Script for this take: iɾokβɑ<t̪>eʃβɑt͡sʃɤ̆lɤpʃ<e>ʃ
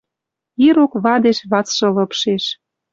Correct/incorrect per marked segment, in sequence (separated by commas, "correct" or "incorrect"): incorrect, correct